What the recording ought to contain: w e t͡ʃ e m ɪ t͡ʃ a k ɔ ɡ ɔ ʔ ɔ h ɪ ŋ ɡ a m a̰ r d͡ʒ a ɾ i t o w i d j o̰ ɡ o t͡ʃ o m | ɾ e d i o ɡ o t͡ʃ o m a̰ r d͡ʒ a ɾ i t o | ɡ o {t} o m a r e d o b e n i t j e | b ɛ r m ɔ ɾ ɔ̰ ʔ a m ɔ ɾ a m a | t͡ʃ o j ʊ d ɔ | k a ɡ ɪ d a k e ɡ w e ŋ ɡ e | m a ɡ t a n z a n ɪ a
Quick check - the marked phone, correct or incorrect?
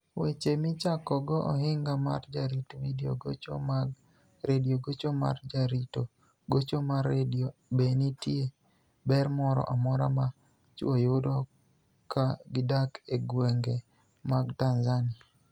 incorrect